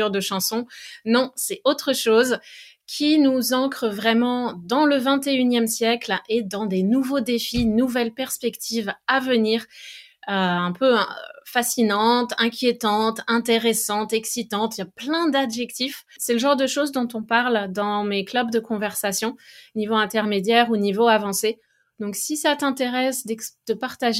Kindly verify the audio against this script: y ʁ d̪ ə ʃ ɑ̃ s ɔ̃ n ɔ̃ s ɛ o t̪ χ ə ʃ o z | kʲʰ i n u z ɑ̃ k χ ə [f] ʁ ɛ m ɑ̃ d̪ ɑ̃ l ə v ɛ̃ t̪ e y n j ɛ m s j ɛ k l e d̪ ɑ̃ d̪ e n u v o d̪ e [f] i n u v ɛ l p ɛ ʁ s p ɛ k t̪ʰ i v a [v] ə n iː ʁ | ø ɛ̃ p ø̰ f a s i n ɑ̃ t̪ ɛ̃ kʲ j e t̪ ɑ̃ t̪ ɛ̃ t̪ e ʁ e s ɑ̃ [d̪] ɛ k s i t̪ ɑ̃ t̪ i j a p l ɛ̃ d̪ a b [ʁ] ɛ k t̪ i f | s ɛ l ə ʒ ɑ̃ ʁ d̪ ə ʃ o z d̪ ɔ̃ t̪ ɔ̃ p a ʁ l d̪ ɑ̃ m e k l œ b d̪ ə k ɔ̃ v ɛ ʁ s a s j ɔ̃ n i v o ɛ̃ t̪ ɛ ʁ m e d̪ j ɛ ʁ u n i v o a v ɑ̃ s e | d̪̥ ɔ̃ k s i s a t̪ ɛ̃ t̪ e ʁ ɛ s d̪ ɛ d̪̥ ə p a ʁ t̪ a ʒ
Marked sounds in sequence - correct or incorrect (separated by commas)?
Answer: incorrect, correct, correct, incorrect, incorrect